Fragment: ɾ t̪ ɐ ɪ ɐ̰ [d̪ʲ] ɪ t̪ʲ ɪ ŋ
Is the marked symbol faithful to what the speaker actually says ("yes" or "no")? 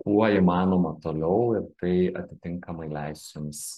no